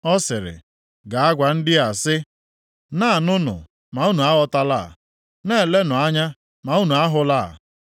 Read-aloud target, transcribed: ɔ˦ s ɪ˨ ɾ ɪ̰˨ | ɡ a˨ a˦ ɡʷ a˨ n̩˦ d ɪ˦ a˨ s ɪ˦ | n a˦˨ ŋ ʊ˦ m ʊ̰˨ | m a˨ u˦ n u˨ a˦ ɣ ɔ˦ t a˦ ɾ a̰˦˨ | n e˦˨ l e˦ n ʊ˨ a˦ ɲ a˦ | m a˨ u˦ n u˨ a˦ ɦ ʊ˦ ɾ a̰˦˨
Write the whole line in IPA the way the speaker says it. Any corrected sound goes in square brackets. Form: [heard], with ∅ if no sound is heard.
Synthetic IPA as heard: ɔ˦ s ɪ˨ ɾ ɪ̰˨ | ɡ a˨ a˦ ɡʷ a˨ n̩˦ d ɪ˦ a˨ s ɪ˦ | n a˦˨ [n] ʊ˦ [n] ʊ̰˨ | m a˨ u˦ n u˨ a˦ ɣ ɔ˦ t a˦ [l] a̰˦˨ | n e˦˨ l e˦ n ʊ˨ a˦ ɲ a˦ | m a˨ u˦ n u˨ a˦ ɦ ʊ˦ [l] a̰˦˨